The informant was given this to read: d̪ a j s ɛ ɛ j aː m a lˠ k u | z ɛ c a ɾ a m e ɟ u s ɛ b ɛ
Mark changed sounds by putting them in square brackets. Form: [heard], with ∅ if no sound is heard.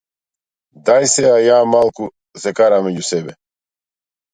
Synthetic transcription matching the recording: d̪ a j s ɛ [a] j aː m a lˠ k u | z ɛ [k] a ɾ a m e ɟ u s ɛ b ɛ

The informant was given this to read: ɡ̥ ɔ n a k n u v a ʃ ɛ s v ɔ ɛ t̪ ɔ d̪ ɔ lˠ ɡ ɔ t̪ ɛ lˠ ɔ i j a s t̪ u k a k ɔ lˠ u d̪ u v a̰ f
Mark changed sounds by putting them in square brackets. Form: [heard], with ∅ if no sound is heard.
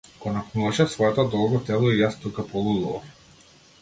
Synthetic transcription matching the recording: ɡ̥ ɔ n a k n u v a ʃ ɛ s v ɔ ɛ t̪ ɔ d̪ ɔ lˠ ɡ ɔ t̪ ɛ lˠ ɔ i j a s t̪ u k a [p] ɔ lˠ u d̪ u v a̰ f

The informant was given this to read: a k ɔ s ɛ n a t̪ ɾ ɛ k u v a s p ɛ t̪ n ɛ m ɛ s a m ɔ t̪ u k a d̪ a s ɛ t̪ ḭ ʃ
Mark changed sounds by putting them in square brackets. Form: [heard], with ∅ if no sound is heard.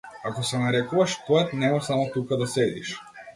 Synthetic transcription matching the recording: a k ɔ s ɛ n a [∅] ɾ ɛ k u v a [ʃ] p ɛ t̪ n ɛ m [a] s a m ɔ t̪ u k a d̪ a s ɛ [d̪] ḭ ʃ

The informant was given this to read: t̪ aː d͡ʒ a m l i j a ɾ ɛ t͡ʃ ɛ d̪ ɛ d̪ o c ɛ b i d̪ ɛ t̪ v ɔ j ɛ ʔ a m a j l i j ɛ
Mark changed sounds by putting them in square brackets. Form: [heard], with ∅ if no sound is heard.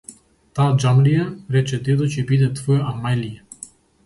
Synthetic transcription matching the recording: t̪ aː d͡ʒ a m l i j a ɾ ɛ t͡ʃ ɛ d̪ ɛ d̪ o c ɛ b i d̪ ɛ t̪ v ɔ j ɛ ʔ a m a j l i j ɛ

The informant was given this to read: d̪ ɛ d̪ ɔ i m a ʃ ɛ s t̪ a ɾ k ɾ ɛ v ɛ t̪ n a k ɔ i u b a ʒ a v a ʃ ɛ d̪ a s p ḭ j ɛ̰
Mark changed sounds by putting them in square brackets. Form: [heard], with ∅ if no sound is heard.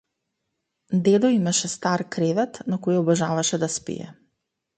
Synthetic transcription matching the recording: d̪ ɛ d̪ ɔ i m a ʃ ɛ s t̪ a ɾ k ɾ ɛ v ɛ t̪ n a k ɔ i [ɔ] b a ʒ a v a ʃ ɛ d̪ a s p ḭ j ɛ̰

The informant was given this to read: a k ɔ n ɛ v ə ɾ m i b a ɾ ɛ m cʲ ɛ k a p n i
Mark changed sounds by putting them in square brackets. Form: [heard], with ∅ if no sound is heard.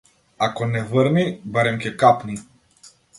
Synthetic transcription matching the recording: a k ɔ n ɛ v ə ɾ [n] i b a ɾ ɛ m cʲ ɛ k a p n i

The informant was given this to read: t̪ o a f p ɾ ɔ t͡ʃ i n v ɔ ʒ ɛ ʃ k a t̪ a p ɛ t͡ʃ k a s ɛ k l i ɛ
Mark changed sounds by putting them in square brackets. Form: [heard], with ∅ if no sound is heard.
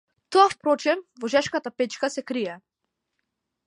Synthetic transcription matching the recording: t̪ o a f p ɾ ɔ t͡ʃ [ɛ] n v ɔ ʒ ɛ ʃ k a t̪ a p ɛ t͡ʃ k a s ɛ k [ɾ] i ɛ

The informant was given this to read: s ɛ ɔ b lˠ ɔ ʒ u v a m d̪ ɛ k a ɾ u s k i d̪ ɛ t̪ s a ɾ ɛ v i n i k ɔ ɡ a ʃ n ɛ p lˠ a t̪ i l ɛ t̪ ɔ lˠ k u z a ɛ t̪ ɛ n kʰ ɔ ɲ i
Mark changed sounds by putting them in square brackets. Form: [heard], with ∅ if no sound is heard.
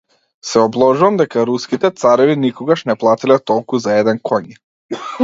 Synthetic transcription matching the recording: s ɛ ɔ b lˠ ɔ ʒ u v a m d̪ ɛ k a ɾ u s k i [t̪] ɛ t̪ s a ɾ ɛ v i n i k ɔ ɡ a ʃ n ɛ p lˠ a t̪ i l ɛ t̪ ɔ lˠ k u z a ɛ [d̪] ɛ n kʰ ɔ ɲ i

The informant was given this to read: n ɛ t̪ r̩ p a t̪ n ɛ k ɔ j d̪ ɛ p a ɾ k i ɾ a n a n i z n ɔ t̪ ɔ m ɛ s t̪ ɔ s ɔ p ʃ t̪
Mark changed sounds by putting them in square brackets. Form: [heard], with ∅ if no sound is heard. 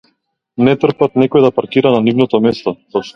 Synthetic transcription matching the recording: n ɛ t̪ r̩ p a t̪ n ɛ k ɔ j d̪ [a] p a ɾ k i ɾ a n a n i [v] n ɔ t̪ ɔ m ɛ s t̪ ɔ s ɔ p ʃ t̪

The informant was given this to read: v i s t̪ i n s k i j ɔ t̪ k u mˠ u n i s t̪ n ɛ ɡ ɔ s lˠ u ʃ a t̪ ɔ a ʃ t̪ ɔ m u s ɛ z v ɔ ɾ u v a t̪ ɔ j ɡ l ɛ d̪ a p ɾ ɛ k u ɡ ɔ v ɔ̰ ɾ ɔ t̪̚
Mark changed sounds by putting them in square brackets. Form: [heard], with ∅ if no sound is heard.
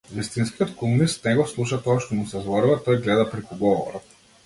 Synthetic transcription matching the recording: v i s t̪ i n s k i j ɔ t̪ k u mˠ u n i s t̪ n ɛ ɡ ɔ s lˠ u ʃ a t̪ ɔ a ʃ t̪ ɔ m u s ɛ z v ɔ ɾ u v a t̪ ɔ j ɡ l ɛ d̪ a p ɾ ɛ k u ɡ ɔ v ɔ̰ ɾ ɔ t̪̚

